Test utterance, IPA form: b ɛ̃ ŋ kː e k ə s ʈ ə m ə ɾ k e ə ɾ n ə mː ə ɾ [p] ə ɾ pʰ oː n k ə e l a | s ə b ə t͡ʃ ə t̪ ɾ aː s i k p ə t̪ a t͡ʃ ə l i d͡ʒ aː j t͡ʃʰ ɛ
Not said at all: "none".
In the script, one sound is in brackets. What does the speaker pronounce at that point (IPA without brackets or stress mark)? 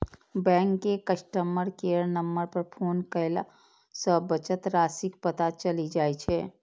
p